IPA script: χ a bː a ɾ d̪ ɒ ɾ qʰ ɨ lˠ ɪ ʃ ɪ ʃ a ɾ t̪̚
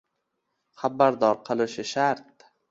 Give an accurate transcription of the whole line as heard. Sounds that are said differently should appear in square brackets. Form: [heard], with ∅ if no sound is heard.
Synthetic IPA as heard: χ a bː a ɾ d̪ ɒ ɾ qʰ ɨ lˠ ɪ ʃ ɪ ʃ a ɾ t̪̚

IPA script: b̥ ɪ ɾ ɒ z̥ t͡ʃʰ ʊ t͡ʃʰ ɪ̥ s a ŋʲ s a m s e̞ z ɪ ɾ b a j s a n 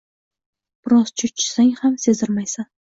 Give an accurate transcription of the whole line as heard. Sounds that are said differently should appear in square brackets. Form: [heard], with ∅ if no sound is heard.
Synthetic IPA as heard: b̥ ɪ ɾ ɒ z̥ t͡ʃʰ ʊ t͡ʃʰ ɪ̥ s a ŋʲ [h] a m s e̞ z ɪ ɾ [m] a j s a n

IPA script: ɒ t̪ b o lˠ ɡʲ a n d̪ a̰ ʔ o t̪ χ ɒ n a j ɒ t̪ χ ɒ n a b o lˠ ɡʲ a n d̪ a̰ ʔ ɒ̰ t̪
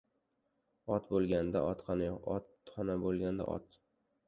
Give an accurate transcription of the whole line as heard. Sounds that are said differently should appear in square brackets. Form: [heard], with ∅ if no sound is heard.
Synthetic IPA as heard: ɒ t̪ b o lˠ ɡʲ a n d̪ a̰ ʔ [ɒ] t̪ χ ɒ n a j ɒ t̪ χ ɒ n a b o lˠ ɡʲ a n d̪ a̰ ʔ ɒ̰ t̪

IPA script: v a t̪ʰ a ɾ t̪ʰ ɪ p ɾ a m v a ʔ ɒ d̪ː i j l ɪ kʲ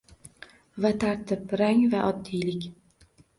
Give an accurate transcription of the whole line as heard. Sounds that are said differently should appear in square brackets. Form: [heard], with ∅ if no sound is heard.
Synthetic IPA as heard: v a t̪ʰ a ɾ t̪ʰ ɪ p ɾ a [ŋ] v a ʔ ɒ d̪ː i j l ɪ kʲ

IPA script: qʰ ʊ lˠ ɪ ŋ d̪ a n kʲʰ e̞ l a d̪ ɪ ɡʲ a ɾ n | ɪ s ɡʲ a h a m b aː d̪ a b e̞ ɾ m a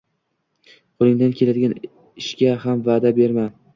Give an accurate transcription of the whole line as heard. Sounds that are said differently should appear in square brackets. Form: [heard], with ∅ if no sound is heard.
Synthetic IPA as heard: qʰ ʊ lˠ ɪ ŋ d̪ a n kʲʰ e̞ l a d̪ ɪ ɡʲ a [∅] n | ɪ [ʃ] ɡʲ a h a m [v] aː d̪ a b e̞ ɾ m a

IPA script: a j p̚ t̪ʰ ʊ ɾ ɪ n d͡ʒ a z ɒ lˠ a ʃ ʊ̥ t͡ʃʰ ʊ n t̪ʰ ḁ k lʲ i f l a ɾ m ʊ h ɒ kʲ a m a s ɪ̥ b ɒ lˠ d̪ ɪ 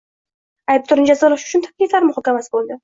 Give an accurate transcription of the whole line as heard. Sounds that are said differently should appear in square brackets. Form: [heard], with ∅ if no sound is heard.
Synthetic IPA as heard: a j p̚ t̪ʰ ʊ ɾ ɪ n d͡ʒ a z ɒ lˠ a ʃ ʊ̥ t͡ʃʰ ʊ n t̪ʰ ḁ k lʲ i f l a ɾ m ʊ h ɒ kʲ a m a s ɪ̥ b [o] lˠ d̪ ɪ

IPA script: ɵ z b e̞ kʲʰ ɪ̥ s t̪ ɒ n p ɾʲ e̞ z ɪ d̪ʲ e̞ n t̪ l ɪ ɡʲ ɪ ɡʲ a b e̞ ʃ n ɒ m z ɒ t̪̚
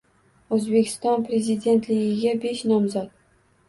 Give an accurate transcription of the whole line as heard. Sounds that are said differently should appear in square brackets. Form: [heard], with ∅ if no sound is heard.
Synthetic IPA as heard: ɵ z b e̞ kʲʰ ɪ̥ s t̪ ɒ n p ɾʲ e̞ z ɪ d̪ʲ e̞ n t̪ l ɪ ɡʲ ɪ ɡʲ a b e̞ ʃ n ɒ m z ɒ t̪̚

